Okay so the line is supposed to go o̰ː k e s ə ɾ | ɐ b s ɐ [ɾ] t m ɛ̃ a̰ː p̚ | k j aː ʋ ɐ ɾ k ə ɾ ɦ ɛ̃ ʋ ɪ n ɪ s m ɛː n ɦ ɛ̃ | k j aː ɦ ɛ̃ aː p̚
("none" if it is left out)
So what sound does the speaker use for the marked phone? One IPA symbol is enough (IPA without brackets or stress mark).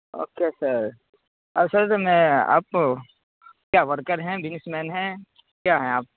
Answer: ɾ